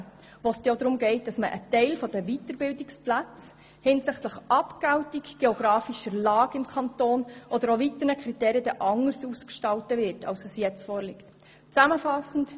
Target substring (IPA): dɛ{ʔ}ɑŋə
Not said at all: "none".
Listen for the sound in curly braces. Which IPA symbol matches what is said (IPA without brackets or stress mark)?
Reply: ʔ